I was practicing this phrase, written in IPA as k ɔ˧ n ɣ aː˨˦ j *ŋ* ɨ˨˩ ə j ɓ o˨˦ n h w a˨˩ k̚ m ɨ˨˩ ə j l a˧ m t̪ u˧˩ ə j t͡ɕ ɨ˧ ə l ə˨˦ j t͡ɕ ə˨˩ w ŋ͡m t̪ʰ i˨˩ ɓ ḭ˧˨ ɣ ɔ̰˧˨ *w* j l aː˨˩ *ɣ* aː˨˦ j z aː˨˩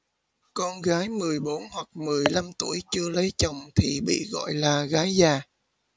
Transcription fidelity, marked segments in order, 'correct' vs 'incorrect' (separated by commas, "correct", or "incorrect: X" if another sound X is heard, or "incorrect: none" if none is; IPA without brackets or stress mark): incorrect: m, incorrect: none, correct